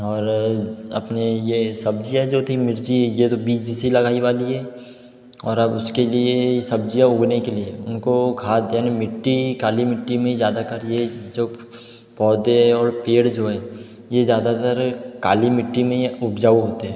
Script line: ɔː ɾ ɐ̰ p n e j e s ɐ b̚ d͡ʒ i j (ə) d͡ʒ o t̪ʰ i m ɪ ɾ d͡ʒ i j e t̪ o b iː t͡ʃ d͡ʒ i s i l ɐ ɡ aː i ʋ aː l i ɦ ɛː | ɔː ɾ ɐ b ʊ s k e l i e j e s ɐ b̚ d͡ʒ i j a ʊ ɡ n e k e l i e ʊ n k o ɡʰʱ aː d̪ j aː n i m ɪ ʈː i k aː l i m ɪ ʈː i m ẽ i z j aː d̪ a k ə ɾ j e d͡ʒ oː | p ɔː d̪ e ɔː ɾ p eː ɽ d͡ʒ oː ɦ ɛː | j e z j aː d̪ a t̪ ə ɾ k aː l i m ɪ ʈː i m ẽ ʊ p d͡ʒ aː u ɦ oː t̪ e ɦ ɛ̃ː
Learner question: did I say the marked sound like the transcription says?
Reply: no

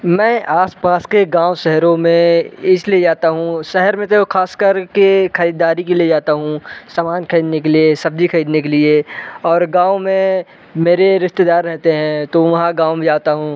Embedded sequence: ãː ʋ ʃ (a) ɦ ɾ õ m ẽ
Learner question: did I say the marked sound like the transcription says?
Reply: no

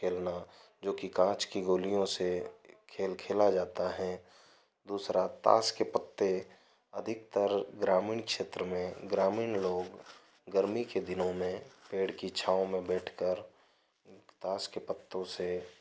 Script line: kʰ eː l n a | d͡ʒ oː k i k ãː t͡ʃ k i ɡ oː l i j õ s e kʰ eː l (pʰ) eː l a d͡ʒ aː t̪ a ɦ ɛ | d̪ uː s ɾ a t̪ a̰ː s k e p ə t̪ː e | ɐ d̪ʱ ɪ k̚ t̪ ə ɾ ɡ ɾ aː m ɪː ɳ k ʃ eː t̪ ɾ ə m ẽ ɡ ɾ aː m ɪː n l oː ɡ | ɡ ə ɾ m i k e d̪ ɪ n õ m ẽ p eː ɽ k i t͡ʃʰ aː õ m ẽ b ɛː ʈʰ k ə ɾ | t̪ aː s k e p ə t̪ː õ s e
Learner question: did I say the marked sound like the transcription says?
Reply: no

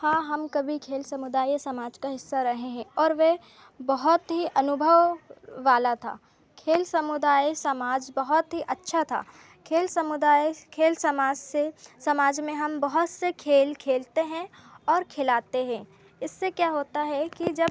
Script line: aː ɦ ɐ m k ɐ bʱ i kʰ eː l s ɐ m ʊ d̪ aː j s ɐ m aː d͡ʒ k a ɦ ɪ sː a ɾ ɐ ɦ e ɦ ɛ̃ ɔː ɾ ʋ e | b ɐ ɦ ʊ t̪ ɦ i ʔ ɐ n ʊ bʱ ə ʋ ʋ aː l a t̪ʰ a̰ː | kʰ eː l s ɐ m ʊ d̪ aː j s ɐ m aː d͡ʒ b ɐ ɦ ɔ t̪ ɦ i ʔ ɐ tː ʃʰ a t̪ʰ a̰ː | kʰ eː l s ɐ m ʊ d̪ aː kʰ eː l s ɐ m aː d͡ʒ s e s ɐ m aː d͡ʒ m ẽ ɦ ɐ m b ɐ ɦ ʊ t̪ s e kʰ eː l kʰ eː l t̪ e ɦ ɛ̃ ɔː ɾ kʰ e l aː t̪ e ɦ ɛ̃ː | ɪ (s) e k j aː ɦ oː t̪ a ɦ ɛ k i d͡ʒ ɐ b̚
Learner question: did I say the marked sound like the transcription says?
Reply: no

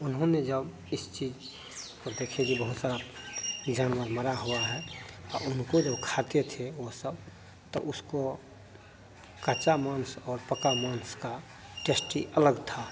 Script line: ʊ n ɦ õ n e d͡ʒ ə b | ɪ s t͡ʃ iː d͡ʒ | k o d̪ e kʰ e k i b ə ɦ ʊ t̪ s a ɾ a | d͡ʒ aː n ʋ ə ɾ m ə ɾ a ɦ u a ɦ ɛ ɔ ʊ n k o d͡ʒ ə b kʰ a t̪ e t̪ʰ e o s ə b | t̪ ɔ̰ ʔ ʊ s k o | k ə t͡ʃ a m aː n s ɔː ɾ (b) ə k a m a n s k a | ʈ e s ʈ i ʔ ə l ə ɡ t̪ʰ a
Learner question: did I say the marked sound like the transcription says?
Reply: no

